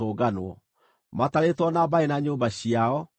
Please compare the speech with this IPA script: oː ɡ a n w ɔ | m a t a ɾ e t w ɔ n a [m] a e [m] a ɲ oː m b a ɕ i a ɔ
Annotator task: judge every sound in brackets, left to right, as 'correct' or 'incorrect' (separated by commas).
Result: incorrect, incorrect